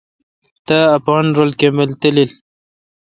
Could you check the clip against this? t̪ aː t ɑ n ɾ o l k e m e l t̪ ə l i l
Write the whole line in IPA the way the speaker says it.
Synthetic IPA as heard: t̪ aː p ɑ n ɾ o l k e m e l t̪ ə l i l